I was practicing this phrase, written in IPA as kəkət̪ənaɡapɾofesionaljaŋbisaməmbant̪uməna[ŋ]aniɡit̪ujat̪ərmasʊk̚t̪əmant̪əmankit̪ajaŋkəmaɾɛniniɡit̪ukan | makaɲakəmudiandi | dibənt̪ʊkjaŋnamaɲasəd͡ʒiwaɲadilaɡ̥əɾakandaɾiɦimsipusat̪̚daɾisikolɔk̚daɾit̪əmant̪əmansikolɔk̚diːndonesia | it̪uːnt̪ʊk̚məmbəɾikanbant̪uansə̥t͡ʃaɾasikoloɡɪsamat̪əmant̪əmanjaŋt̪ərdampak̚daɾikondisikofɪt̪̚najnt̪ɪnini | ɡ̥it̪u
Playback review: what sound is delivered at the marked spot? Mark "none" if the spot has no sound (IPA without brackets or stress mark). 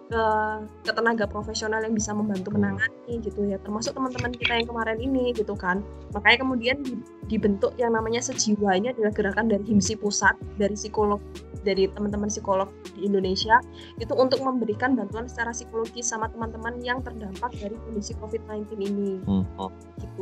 ŋ